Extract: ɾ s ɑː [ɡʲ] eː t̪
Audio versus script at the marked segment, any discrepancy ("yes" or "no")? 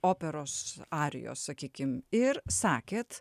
yes